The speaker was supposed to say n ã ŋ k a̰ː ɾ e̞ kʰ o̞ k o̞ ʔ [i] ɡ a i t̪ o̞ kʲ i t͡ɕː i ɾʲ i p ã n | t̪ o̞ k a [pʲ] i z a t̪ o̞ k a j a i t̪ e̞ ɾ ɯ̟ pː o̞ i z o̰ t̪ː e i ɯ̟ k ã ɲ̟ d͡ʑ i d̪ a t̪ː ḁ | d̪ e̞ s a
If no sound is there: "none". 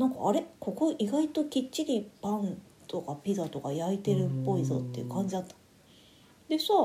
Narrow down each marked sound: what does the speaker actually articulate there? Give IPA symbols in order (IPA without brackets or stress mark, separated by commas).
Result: i, pʲ